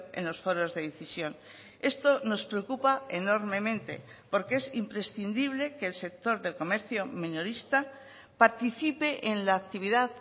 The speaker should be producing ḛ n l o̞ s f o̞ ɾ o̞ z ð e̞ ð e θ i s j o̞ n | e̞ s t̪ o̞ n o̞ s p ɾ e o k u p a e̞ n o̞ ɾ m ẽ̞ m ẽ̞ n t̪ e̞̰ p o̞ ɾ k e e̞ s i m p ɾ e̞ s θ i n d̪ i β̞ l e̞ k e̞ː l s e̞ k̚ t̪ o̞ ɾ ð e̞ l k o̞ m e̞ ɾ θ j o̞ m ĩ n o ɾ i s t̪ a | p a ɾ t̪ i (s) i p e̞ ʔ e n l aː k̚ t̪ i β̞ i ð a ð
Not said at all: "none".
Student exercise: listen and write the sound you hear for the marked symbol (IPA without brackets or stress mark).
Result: θ